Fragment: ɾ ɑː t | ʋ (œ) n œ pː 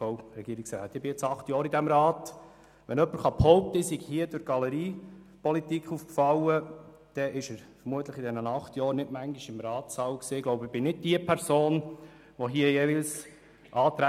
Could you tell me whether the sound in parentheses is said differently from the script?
yes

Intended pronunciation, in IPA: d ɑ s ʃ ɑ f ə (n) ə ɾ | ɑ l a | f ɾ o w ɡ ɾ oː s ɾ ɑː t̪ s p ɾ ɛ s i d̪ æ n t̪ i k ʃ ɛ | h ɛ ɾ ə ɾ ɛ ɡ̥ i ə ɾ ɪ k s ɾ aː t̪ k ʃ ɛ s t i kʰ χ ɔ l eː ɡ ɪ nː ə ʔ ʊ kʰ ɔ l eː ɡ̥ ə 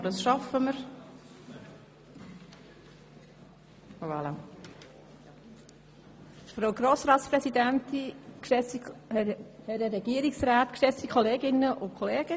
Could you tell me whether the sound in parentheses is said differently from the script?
yes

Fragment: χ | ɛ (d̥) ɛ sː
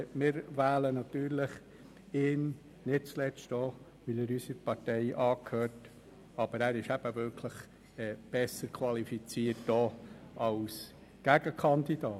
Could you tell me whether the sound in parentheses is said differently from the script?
yes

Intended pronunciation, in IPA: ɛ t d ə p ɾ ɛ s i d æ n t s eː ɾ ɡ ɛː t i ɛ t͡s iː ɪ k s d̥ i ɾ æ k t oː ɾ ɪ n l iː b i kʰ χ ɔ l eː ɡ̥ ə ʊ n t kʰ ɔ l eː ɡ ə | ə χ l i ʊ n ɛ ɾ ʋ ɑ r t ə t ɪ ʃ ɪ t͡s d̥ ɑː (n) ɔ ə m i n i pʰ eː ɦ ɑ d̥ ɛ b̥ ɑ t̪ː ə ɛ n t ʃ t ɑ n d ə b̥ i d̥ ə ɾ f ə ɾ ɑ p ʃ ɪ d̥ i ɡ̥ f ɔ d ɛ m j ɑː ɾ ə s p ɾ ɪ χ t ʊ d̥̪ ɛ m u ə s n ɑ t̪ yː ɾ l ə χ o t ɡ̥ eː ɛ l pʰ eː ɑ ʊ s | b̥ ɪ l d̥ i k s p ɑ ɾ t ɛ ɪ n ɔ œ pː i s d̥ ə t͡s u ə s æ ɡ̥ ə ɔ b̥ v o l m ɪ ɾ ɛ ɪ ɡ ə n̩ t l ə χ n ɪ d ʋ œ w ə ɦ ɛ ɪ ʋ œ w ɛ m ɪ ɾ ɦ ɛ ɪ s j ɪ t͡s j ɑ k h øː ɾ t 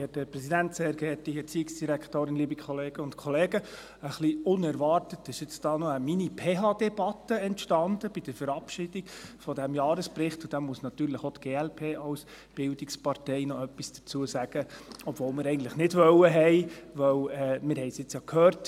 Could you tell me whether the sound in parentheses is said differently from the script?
no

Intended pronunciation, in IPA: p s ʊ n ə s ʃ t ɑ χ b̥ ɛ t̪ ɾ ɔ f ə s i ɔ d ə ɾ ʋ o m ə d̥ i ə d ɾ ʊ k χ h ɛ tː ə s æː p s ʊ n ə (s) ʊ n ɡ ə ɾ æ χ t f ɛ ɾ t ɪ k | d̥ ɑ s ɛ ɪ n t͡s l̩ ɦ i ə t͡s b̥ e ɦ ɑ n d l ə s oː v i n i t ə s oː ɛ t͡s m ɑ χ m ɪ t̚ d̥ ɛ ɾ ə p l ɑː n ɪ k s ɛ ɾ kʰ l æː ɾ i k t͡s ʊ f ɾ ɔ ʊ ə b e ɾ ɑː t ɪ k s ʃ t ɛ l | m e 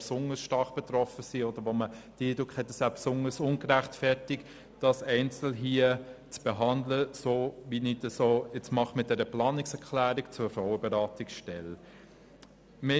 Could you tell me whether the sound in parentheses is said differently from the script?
no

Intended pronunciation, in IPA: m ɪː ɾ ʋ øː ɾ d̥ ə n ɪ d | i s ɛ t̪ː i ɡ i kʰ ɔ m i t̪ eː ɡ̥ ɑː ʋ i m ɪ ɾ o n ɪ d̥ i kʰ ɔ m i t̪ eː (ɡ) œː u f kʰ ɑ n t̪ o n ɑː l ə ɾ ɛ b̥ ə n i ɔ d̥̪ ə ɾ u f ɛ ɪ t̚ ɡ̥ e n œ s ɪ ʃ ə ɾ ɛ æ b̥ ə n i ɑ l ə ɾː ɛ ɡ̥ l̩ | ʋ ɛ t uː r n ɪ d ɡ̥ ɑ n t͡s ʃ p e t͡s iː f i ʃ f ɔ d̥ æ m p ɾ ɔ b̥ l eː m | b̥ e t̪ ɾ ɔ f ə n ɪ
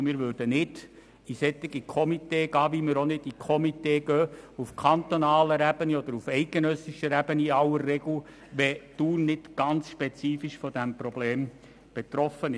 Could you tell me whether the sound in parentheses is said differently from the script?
no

